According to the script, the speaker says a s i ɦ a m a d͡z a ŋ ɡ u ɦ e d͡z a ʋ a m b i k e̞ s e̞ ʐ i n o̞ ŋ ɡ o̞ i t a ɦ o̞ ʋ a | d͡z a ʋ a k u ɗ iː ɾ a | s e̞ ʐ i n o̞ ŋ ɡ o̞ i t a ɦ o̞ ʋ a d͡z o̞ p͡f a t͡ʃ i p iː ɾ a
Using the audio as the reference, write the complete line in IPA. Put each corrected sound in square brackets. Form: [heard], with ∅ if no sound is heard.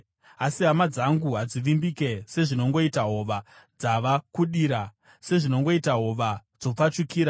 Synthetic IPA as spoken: a s i ɦ a m a d͡z a ŋ ɡ u ɦ [a] d͡z [i] ʋ [i] m b i k e̞ s e̞ ʐ i n o̞ ŋ ɡ o̞ i t a ɦ o̞ ʋ a | d͡z a ʋ a k u ɗ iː ɾ a | s e̞ ʐ i n o̞ ŋ ɡ o̞ i t a ɦ o̞ ʋ a d͡z o̞ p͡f a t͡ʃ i [k] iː ɾ a